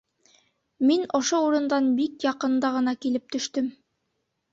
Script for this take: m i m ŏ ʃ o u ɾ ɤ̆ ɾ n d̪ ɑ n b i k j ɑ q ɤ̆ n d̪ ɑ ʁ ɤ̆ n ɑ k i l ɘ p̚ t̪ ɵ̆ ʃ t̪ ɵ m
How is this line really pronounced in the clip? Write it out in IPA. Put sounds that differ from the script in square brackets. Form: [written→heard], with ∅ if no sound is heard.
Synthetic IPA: m i [m→n] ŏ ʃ o u ɾ ɤ̆ [ɾ→∅] n d̪ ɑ n b i k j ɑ q ɤ̆ n d̪ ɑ ʁ ɤ̆ n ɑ k i l ɘ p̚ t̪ ɵ̆ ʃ t̪ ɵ m